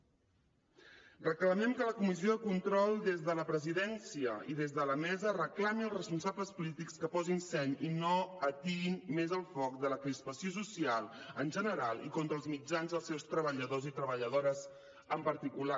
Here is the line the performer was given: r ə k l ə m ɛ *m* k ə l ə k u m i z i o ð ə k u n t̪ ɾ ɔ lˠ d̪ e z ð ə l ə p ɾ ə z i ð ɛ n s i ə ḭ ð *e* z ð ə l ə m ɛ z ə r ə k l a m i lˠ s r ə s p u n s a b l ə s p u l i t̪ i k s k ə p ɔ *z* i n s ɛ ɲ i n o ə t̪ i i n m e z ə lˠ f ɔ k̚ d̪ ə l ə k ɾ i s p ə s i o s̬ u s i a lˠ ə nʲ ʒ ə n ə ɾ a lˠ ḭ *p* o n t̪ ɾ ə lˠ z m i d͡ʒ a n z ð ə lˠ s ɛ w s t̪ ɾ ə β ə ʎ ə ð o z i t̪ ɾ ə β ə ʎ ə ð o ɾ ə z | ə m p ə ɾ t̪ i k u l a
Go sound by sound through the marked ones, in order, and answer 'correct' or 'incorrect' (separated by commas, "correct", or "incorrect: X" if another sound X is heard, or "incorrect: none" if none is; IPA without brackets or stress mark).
correct, correct, correct, incorrect: k